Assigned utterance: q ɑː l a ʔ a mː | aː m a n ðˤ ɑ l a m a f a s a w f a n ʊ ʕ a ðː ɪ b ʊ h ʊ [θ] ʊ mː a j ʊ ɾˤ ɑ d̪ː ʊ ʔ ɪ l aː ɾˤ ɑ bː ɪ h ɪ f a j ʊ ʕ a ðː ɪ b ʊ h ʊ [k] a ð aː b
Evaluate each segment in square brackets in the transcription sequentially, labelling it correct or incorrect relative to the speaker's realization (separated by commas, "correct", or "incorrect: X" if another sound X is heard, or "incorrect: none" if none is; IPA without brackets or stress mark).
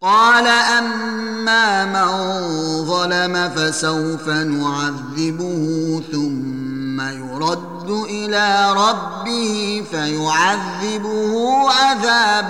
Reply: correct, incorrect: ʔ